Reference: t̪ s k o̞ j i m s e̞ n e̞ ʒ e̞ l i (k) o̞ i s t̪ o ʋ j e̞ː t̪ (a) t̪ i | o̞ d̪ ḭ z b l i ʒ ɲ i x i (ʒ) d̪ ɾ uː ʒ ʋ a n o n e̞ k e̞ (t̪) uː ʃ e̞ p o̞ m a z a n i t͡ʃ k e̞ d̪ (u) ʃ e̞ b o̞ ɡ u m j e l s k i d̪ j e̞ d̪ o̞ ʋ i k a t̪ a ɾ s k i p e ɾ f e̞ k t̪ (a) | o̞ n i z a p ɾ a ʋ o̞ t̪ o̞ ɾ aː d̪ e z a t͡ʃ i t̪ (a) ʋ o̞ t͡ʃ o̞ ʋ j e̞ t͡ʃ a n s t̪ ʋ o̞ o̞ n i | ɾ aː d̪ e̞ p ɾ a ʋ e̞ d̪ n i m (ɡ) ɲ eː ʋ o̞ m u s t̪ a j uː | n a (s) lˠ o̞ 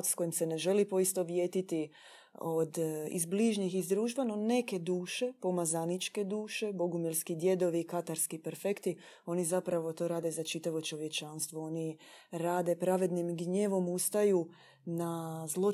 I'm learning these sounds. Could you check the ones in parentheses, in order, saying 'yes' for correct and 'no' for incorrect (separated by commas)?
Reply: no, no, no, no, no, no, yes, yes, no